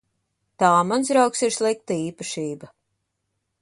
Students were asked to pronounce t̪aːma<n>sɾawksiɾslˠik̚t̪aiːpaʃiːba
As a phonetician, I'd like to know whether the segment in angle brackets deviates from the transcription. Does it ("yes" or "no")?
no